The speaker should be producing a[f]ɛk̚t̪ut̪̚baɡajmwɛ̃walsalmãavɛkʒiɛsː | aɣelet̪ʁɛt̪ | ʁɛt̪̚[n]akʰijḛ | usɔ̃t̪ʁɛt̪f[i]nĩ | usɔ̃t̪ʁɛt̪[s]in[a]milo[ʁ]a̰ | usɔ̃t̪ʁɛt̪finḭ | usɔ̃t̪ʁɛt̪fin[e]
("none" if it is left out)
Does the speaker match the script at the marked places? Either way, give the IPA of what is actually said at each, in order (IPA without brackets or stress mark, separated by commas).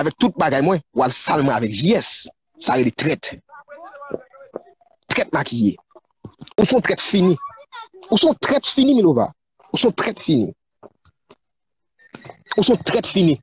v, m, i, f, i, v, i